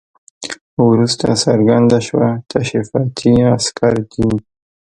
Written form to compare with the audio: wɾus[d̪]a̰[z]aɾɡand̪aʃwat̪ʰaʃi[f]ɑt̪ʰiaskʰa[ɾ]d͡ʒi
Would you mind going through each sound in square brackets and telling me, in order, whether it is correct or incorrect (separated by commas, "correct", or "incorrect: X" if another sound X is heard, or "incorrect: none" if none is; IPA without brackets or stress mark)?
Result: incorrect: t̪, incorrect: s, correct, correct